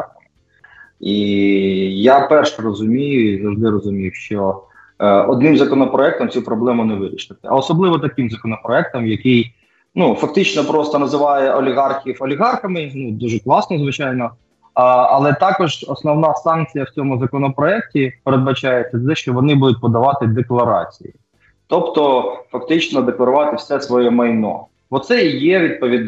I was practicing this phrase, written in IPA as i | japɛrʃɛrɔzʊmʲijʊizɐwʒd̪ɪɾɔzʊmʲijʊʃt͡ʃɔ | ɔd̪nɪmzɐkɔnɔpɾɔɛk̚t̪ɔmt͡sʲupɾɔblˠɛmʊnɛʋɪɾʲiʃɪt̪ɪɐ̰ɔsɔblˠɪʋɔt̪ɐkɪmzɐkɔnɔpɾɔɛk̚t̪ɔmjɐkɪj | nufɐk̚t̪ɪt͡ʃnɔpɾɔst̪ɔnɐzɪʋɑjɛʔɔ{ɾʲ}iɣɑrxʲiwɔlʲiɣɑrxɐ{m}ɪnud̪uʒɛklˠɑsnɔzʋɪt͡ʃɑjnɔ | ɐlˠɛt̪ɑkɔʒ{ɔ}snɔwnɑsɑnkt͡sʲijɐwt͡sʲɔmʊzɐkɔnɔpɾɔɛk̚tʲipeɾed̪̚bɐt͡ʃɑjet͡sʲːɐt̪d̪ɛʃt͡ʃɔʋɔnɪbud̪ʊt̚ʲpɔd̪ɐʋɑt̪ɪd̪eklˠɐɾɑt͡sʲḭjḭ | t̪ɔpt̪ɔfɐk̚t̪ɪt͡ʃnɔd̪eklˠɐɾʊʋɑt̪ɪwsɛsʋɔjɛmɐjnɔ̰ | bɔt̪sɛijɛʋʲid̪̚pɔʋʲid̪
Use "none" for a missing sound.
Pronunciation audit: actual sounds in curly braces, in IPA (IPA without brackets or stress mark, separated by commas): lʲ, m, ɔ